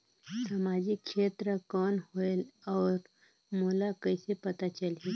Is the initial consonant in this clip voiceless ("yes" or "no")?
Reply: yes